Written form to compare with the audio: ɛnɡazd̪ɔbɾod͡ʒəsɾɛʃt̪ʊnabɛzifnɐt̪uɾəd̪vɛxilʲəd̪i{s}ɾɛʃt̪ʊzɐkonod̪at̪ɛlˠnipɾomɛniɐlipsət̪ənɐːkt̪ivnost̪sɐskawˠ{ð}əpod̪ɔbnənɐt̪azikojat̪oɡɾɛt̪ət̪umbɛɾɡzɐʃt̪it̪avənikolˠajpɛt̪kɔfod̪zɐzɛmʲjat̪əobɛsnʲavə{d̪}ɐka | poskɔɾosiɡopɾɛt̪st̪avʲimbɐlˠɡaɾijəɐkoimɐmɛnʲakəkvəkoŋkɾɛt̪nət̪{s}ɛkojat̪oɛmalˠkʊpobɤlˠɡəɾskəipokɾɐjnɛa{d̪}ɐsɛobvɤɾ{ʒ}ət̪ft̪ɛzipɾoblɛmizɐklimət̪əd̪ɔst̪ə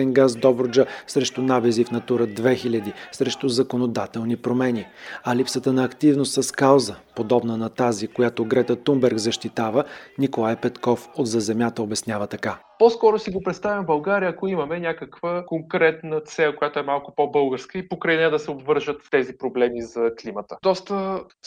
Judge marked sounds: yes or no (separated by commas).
yes, no, no, yes, yes, yes